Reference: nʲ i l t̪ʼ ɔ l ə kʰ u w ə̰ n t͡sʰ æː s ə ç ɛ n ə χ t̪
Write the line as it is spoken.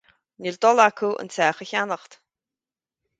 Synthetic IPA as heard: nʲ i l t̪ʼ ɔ l a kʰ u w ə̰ n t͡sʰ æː χ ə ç a n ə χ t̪